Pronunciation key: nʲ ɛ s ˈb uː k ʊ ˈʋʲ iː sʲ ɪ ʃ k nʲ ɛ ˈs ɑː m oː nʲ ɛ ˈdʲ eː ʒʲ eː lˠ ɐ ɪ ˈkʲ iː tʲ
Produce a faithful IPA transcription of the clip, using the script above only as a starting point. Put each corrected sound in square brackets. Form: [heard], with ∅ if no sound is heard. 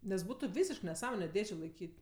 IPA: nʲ ɛ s ˈb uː [t] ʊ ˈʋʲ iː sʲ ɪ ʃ k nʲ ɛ ˈs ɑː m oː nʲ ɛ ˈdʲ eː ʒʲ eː lˠ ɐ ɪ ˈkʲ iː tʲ